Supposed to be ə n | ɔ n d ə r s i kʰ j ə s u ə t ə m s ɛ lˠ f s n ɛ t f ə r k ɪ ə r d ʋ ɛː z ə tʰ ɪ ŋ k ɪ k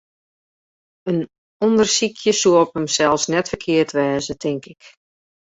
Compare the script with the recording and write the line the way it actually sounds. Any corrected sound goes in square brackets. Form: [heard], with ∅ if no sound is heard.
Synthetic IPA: ə n | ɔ n d ə r s i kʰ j ə s u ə [p] ə m s ɛ lˠ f s n ɛ t f ə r [kʰ] ɪ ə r [t] ʋ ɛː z ə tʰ ɪ ŋ k ɪ k